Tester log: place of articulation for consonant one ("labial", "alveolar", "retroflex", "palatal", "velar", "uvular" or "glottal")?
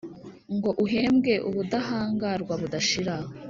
velar